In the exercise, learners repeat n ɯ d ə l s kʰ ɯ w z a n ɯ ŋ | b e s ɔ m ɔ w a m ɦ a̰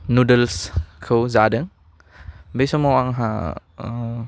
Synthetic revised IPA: n u d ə l s kʰ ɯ w z a d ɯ ŋ | b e s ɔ m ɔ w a ŋ ɦ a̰